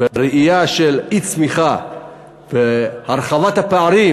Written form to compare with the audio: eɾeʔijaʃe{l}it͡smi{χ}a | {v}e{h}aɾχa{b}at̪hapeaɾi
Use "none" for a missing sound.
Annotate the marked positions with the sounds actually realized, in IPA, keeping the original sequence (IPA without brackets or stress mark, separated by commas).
l, χ, v, h, v